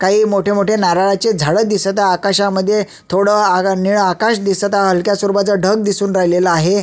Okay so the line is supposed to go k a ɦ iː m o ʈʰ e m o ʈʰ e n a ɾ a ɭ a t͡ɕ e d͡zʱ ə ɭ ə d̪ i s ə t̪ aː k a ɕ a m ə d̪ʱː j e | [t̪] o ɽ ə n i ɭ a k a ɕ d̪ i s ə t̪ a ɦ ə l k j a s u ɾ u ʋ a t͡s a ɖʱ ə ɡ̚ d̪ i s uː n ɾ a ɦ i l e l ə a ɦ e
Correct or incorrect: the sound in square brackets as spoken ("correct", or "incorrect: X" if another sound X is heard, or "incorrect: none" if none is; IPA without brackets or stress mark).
incorrect: t̪ʰ